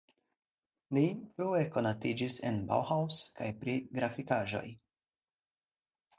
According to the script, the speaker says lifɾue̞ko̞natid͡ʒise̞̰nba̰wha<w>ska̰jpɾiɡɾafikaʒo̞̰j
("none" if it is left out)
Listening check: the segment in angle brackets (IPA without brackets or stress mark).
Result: w